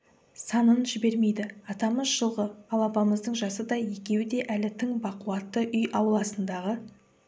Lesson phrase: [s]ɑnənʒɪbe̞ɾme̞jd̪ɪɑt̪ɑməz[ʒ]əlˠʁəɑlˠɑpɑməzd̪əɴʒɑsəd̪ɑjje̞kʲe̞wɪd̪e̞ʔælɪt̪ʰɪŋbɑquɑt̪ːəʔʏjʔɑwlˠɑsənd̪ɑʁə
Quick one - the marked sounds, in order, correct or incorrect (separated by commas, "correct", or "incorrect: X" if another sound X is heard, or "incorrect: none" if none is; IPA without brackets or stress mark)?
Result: correct, correct